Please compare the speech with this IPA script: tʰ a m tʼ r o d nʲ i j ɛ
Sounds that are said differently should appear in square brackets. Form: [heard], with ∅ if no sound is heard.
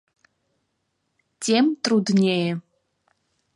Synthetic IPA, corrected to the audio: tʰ [e] m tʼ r [u] d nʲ [e] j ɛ